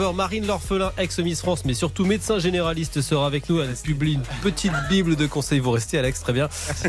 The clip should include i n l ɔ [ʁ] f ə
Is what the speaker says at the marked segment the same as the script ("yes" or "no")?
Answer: yes